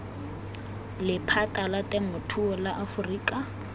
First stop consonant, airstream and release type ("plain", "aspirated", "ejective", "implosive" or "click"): aspirated